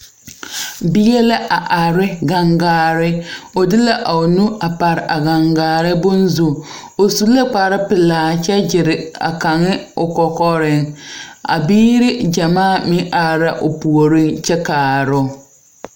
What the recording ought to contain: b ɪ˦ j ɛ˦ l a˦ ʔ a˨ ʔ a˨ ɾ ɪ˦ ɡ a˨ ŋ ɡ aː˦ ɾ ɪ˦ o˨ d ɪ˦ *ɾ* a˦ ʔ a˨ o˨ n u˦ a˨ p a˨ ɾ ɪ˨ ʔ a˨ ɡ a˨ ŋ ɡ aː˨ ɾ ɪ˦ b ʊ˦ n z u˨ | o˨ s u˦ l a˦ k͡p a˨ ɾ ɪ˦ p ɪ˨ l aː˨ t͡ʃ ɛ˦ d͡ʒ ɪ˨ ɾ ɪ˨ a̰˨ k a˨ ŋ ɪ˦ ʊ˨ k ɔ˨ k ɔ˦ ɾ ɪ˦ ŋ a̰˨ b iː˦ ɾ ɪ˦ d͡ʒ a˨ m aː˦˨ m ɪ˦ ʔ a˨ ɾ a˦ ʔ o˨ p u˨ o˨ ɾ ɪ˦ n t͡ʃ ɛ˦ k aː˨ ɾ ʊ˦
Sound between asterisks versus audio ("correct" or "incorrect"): incorrect